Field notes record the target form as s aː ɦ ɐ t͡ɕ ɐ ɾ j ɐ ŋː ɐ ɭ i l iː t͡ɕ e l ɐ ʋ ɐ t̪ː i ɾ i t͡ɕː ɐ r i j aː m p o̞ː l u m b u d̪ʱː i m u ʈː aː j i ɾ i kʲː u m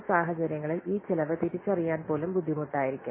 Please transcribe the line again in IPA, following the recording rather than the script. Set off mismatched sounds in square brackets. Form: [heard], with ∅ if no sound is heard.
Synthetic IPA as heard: s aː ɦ ɐ t͡ɕ ɐ ɾ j ɐ ŋː ɐ ɭ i l iː t͡ɕ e l ɐ ʋ ɐ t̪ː i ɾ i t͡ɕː ɐ r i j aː [n] p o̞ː l u m b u d̪ʱː i m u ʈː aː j i ɾ i kʲː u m